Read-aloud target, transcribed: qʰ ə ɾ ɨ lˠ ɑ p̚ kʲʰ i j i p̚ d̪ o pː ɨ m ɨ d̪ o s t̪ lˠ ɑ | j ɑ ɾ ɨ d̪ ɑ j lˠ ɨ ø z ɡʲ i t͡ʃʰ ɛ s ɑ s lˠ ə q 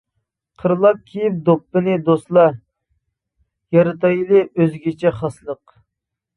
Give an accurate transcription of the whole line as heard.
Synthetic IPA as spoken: qʰ ə ɾ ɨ lˠ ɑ p̚ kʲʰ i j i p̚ d̪ o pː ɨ n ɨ d̪ o s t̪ lˠ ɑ | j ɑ ɾ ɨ t̪ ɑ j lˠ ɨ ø z ɡʲ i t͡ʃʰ ɛ χ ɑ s lˠ ə q